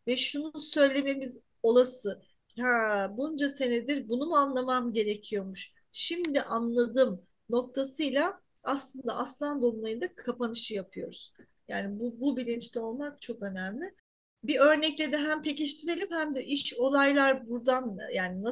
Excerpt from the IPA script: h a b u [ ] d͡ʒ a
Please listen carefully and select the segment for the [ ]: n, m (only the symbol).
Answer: n